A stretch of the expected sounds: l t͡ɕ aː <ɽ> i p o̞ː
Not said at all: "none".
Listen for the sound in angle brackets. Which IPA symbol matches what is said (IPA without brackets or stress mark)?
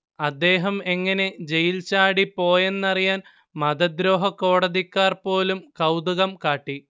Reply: ɽ